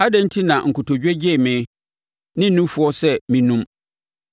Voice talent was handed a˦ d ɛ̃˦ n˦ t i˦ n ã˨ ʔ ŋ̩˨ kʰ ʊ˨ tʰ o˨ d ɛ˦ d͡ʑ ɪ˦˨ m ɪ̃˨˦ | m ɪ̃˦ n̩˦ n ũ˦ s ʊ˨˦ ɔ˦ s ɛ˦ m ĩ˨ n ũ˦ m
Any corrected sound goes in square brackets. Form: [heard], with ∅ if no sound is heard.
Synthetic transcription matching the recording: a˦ d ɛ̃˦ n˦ [tʰ] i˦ n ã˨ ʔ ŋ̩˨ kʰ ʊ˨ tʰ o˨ [d͡ʑᶣ] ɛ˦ d͡ʑ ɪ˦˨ m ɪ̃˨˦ | [n] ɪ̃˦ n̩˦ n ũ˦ [f] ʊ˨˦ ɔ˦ s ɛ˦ m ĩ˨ n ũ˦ m